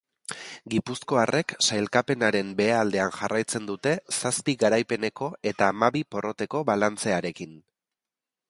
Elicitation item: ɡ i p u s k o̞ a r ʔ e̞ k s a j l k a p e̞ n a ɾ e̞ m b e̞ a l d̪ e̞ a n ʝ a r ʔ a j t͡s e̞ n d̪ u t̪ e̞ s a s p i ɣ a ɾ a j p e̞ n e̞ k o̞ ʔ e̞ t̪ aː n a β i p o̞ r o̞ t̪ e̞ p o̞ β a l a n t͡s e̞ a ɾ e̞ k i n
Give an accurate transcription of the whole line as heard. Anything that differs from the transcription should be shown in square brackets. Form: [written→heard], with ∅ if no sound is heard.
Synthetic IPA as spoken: ɡ i p u s k o̞ a r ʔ e̞ k s a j l k a p e̞ n a ɾ e̞ m b e̞ a l d̪ e̞ a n ʝ a r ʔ a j t͡s e̞ n d̪ u t̪ e̞ s a s p i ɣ a ɾ a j p e̞ n e̞ k o̞ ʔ e̞ t̪ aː [n→m] a β i p o̞ r o̞ t̪ e̞ [p→k] o̞ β a l a n t͡s e̞ a ɾ e̞ k i n